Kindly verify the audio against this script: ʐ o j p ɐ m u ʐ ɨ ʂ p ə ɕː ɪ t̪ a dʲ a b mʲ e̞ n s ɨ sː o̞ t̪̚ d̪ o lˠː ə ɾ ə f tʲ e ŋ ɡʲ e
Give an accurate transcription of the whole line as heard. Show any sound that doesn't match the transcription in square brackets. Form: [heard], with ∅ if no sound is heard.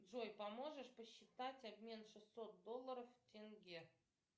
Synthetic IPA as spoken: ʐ o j p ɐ m [o] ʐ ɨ ʂ p ə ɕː ɪ t̪ a [tʲ] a b mʲ e̞ n [ʂ] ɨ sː o̞ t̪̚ d̪ o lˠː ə ɾ ə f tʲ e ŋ ɡʲ e